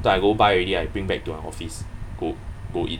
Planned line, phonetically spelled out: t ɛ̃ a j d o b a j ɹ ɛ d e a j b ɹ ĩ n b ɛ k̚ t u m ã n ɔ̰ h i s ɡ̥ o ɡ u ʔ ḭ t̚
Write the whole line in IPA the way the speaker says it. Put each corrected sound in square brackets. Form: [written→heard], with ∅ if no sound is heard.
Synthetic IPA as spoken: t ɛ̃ a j [d→ɡ] o b a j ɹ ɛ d [e→i] a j b ɹ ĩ [n→ŋ] b ɛ k̚ t u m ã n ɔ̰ [h→f] i s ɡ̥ o ɡ [u→o] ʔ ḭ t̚